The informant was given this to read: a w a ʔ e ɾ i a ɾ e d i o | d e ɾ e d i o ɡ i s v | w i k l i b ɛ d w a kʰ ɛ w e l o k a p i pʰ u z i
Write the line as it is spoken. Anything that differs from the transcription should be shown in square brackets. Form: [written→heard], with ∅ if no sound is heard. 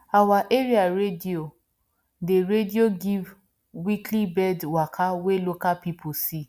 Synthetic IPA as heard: a w a ʔ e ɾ i a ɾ e d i o | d e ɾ e d i o ɡ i [s→∅] v | w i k l i b ɛ d w a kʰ [ɛ→a] w e l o k a p i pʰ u [z→s] i